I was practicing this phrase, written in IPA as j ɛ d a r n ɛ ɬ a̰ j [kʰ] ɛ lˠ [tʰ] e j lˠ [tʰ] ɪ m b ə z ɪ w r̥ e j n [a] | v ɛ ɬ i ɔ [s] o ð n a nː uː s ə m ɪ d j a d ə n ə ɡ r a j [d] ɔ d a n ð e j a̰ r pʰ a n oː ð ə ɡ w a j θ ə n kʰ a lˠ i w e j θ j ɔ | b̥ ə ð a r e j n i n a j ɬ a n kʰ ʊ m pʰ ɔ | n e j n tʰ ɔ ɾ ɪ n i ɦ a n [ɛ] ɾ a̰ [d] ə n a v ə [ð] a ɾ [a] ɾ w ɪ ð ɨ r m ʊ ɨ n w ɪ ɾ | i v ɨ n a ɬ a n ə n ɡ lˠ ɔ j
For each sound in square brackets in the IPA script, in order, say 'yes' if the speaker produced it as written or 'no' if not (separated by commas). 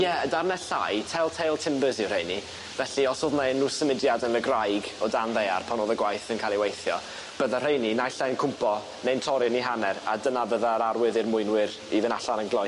no, yes, yes, no, yes, no, yes, yes, yes, yes